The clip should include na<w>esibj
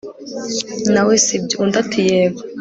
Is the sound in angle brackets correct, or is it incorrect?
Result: correct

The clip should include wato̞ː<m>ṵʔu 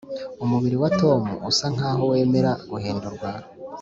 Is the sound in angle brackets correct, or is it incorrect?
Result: correct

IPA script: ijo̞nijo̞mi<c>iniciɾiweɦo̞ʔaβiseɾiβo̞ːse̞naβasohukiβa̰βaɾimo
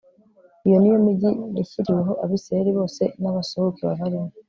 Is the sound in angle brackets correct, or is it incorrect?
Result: incorrect: ɟ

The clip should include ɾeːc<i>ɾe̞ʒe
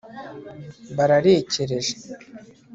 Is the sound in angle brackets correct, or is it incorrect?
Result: incorrect: e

